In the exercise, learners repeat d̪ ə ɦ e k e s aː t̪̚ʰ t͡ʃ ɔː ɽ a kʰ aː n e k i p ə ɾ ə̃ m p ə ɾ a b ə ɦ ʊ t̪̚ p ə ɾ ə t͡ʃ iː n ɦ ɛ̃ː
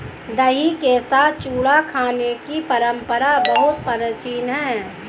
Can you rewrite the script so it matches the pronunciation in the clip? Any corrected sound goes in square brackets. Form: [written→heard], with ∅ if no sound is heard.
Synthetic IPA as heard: d̪ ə ɦ [e→i] k e s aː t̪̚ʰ t͡ʃ [ɔː→uː] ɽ a kʰ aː n e k i p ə ɾ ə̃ m p ə ɾ a b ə ɦ ʊ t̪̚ p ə ɾ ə t͡ʃ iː n ɦ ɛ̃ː

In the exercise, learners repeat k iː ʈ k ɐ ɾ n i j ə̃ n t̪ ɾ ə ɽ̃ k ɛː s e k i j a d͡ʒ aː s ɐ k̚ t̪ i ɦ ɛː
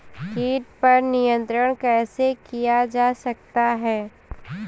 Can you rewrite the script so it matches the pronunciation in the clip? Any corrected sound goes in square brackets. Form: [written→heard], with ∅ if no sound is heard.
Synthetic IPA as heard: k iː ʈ [k→p] ɐ ɾ n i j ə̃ n t̪ ɾ ə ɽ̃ k ɛː s e k i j a d͡ʒ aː s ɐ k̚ t̪ [i→a] ɦ ɛː

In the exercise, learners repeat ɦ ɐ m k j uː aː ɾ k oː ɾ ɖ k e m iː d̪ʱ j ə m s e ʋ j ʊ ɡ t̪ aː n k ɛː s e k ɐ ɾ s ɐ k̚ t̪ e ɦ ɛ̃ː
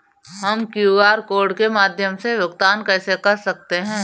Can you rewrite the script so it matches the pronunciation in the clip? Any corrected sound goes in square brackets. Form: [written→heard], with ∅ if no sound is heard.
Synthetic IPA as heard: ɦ ɐ m k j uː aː ɾ k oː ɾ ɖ k e m [iː→aː] d̪ʱ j ə m s e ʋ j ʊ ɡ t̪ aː n k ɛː s e k ɐ ɾ s ɐ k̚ t̪ e ɦ ɛ̃ː

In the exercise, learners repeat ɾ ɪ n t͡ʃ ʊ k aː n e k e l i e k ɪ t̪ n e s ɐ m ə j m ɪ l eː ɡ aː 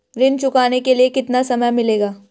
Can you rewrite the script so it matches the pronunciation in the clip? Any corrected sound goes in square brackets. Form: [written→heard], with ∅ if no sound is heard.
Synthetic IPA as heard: ɾ ɪ n t͡ʃ ʊ k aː n e k e l i e k ɪ t̪ n [e→a] s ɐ m ə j m ɪ l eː ɡ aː

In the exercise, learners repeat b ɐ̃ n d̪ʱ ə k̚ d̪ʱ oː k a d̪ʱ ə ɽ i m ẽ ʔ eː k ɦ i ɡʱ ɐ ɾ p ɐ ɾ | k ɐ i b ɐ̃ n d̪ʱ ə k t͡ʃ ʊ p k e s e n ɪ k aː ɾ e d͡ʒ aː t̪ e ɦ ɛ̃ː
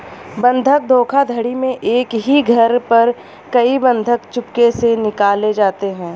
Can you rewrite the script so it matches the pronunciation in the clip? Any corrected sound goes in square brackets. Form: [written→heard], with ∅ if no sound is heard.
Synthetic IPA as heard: b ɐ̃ n d̪ʱ ə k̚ d̪ʱ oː [k→kʰ] a d̪ʱ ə ɽ i m ẽ ʔ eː k ɦ i ɡʱ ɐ ɾ p ɐ ɾ | k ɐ i b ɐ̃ n d̪ʱ ə k t͡ʃ ʊ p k e s e n ɪ k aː [ɾ→l] e d͡ʒ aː t̪ e ɦ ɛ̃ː

